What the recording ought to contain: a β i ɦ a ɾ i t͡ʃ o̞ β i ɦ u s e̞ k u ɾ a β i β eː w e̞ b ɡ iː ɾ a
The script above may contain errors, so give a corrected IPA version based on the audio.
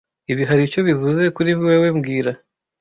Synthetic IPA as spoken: i β i ɦ a ɾ i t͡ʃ o̞ β i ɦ u z e̞ k u ɾ i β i w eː w e̞ m ɡ iː ɾ a